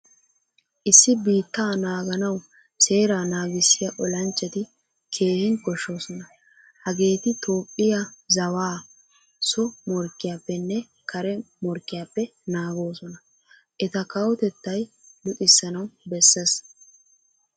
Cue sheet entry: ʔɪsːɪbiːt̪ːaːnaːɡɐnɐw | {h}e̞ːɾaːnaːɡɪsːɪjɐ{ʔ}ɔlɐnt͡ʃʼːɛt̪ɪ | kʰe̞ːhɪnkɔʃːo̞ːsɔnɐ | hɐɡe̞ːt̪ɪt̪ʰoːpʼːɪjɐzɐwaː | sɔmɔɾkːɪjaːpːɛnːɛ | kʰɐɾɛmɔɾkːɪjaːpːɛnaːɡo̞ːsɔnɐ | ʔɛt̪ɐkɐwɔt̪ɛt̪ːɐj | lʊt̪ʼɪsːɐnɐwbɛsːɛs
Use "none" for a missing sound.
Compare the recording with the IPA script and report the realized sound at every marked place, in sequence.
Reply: s, ʔ

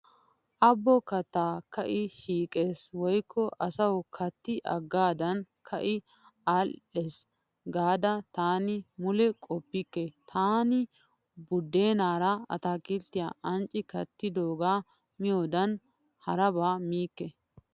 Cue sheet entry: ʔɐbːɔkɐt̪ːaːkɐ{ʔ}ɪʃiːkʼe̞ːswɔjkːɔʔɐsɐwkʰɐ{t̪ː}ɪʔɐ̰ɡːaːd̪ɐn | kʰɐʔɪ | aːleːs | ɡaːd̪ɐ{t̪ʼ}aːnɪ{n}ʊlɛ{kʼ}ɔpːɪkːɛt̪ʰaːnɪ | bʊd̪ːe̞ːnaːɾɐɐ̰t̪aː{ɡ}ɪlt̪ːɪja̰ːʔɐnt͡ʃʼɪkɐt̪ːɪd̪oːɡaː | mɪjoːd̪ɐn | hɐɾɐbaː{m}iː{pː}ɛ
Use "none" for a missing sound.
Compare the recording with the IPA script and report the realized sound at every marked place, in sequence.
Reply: ʔ, t̪ː, t̪, m, kʼ, k, m, kː

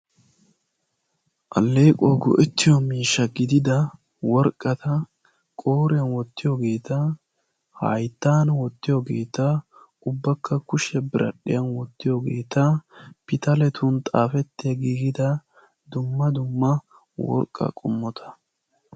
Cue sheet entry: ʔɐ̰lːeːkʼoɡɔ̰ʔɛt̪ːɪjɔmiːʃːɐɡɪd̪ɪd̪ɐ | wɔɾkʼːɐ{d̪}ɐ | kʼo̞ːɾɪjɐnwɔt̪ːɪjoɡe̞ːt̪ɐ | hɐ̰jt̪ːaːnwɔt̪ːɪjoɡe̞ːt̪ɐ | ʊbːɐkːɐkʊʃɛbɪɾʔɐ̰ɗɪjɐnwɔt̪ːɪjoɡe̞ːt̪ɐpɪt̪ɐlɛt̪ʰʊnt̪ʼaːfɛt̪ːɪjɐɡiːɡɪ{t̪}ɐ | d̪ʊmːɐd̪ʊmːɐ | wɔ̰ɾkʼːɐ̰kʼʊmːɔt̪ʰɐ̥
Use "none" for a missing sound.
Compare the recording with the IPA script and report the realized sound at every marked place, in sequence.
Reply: t̪, d̪

